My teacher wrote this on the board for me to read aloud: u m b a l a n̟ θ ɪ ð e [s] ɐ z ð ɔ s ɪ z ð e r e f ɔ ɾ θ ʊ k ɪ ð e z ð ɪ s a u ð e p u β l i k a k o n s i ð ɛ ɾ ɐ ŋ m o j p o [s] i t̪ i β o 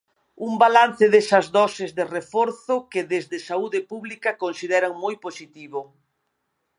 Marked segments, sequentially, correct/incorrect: correct, correct

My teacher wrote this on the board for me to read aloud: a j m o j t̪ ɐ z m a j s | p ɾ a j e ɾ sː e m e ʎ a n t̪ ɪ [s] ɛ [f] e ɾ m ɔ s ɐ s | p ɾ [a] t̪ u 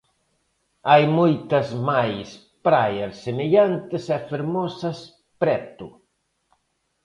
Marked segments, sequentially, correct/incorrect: correct, correct, incorrect

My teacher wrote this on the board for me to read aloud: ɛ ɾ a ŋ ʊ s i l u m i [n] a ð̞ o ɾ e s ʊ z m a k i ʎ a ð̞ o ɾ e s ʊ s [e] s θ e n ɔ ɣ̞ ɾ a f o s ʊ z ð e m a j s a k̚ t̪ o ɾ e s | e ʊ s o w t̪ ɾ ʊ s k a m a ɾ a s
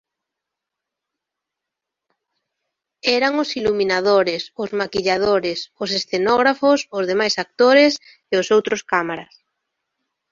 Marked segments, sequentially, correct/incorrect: correct, correct

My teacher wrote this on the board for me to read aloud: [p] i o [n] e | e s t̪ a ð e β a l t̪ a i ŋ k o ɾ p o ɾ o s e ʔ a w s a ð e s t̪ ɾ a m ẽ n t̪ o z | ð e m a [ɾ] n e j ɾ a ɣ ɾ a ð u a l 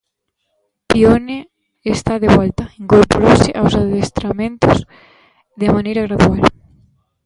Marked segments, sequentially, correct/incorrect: correct, correct, incorrect

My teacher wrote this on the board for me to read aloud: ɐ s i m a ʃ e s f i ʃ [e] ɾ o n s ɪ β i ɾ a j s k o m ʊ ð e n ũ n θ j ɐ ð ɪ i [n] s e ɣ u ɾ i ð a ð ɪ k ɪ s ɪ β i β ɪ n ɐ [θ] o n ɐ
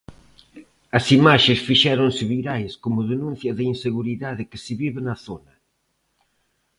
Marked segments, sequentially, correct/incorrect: incorrect, correct, correct

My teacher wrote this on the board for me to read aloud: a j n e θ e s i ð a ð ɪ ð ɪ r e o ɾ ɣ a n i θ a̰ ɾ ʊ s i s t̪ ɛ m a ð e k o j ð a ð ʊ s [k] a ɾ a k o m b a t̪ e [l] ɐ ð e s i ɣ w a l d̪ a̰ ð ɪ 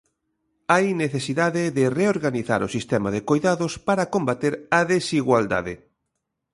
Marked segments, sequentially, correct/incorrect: incorrect, incorrect

